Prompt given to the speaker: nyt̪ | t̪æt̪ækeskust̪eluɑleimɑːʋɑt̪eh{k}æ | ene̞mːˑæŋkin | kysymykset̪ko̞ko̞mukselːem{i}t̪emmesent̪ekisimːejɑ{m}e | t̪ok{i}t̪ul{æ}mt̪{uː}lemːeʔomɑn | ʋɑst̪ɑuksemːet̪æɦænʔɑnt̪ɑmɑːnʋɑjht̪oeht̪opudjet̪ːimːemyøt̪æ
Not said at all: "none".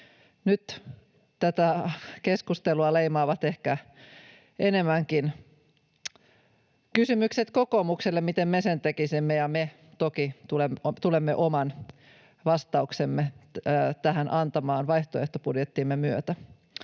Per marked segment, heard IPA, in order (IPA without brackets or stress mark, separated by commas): k, i, m, i, e, u